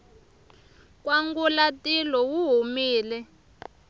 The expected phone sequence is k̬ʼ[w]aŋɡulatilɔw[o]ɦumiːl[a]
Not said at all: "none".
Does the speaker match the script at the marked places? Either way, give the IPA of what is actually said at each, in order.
w, u, ɛ

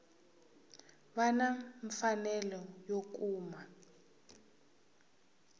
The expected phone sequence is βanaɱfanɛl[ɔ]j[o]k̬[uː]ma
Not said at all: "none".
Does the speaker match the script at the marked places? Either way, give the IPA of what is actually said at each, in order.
ɔ, o, uː

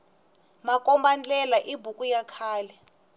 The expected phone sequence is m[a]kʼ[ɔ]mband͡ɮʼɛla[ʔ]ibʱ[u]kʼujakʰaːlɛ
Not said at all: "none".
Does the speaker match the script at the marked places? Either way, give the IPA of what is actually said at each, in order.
a, ɔ, ʔ, u

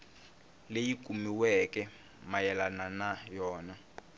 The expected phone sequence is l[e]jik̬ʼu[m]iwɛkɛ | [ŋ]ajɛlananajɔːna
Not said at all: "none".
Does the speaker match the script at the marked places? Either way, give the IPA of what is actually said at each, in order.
e, m, m

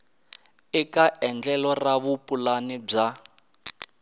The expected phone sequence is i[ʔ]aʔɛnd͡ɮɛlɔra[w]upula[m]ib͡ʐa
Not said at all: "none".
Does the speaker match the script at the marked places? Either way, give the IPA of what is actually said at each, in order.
k, β, n

